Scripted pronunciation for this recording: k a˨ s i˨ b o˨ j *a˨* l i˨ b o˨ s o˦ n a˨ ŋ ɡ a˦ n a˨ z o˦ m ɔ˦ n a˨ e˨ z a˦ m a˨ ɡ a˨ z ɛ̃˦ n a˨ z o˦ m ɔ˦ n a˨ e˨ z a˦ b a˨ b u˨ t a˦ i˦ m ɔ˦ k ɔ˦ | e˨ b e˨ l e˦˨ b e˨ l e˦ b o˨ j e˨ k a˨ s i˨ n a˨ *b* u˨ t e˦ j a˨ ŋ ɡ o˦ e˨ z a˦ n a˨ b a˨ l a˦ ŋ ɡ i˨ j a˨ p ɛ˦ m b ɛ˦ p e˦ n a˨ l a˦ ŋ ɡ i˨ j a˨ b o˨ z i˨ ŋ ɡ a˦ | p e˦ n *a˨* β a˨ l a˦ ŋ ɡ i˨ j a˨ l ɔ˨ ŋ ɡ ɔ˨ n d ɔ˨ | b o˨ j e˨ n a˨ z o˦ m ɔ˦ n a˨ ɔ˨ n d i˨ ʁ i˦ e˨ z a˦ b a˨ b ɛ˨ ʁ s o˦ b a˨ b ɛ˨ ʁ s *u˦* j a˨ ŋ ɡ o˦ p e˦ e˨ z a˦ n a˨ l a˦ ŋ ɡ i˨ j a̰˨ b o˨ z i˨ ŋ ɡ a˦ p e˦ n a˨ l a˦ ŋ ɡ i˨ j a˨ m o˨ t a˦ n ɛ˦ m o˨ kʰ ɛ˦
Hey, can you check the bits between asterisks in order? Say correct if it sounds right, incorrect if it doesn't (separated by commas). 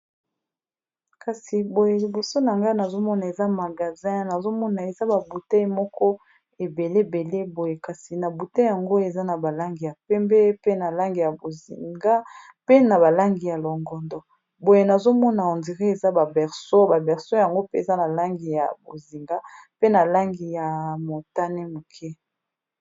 incorrect, correct, correct, incorrect